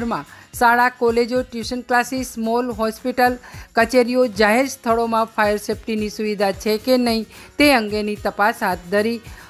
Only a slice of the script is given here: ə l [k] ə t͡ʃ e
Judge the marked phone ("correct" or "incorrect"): correct